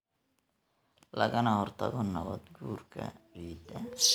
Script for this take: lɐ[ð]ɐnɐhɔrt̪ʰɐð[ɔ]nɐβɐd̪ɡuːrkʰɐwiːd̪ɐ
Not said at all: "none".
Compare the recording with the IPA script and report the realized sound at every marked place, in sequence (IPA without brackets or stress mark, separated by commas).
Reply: ɣ, ɔ